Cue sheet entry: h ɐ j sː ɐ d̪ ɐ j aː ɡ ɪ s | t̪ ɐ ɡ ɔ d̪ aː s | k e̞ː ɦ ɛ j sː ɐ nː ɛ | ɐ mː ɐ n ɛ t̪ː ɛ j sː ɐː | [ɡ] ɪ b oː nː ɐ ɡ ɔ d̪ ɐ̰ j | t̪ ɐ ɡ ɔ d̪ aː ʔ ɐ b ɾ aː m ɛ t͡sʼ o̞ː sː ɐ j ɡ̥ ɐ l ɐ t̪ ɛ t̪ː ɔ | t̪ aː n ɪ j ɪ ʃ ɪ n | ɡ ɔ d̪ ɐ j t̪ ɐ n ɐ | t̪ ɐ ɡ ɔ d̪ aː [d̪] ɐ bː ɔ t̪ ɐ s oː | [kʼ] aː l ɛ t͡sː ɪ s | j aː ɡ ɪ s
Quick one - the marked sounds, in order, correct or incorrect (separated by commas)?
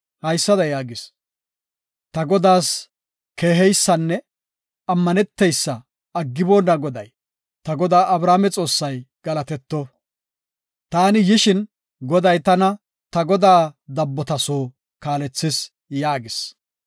incorrect, correct, incorrect